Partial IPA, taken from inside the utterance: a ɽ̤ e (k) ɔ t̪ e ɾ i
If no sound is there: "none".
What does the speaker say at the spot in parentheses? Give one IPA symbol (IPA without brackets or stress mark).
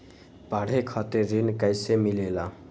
kʰ